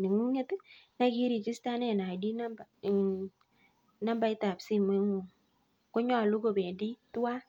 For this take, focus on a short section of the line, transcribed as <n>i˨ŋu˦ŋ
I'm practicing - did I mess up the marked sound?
no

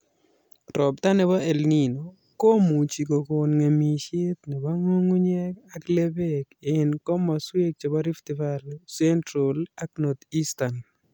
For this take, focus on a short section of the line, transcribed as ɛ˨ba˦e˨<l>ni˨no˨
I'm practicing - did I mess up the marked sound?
no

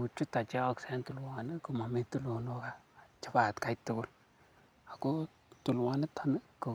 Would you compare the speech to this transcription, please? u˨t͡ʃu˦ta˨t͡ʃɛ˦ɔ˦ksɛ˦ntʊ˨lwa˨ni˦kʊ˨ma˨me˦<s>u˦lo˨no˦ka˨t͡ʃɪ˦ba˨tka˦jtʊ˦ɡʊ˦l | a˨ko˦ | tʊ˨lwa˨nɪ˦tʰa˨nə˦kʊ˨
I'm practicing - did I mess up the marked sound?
yes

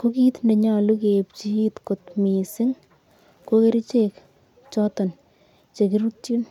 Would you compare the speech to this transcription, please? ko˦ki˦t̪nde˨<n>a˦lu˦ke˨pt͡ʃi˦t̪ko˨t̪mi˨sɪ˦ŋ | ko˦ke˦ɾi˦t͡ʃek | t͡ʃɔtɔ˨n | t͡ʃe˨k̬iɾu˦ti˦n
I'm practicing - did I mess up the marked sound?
yes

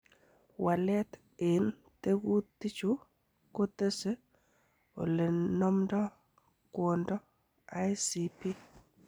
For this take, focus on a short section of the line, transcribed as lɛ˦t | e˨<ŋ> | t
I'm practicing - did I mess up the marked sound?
yes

